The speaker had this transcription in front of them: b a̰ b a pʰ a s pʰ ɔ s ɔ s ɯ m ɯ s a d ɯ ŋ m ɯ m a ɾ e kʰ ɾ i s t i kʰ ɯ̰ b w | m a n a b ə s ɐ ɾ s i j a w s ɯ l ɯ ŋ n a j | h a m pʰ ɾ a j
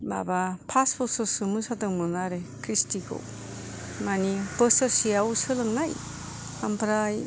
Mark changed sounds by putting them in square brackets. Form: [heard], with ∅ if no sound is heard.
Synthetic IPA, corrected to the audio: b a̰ b a pʰ a s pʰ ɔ s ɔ s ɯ m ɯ s a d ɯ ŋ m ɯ [n] a ɾ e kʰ ɾ i s t i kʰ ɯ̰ [∅] w | m a n [i] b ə s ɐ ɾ s i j a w s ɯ l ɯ ŋ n a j | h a m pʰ ɾ a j